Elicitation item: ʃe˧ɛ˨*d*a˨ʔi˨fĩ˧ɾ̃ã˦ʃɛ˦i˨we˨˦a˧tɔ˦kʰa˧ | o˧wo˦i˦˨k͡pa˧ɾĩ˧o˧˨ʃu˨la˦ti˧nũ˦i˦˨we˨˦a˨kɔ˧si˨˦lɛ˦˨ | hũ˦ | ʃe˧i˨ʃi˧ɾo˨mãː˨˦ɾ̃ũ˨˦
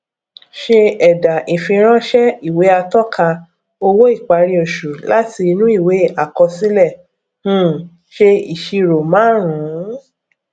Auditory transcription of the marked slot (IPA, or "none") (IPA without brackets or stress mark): d